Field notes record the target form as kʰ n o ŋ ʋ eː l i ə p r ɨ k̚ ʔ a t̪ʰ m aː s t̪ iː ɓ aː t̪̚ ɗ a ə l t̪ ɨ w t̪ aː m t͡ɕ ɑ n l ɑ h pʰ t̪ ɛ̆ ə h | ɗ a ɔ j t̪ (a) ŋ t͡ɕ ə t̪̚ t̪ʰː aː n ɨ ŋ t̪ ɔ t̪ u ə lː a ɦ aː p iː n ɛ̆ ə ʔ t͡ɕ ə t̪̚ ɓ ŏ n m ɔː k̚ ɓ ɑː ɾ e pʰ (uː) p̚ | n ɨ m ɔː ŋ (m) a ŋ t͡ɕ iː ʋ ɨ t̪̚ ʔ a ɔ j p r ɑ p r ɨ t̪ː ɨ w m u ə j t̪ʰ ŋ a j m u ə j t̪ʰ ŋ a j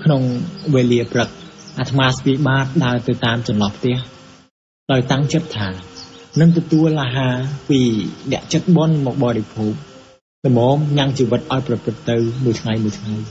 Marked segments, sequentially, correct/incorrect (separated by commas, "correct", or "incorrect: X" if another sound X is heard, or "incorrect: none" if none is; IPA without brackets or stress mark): correct, correct, incorrect: ɲ